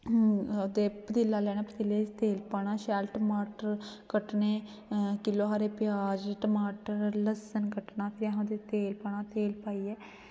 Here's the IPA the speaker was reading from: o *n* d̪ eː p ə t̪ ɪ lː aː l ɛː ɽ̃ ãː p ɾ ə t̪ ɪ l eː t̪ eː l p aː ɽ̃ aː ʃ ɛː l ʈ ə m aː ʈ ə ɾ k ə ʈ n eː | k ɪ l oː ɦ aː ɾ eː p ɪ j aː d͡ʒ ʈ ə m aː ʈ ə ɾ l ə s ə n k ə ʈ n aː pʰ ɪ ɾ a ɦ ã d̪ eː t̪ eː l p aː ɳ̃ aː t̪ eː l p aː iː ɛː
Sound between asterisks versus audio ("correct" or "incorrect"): incorrect